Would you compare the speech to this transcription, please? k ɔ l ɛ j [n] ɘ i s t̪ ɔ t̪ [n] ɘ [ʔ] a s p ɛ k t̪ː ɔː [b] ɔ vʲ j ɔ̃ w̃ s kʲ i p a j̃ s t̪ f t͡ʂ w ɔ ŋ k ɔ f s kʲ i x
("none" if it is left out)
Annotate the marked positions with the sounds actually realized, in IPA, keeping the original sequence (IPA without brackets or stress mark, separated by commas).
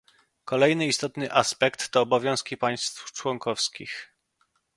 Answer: n, n, ʔ, b